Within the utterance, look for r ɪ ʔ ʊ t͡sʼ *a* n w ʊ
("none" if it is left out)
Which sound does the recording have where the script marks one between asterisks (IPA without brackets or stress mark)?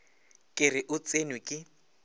e